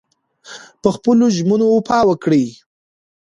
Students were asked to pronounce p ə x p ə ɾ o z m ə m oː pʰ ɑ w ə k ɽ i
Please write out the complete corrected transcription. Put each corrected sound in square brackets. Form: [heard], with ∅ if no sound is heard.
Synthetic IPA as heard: p ə x p ə [l] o [ʒ] m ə [n] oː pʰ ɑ w ə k ɽ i